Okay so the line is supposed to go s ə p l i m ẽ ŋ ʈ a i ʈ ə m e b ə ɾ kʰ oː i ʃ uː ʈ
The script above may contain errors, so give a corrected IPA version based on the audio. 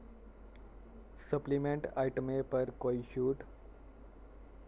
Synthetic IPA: s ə p l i m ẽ ɳ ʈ a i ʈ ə m e p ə ɾ k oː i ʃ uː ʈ